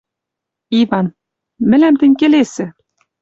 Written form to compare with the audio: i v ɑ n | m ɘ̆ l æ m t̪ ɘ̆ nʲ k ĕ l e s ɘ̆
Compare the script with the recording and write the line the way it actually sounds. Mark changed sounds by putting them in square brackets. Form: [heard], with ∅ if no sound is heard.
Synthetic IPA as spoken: i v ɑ n | m ɘ̆ l æ m t̪ ɘ̆ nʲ k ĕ l e s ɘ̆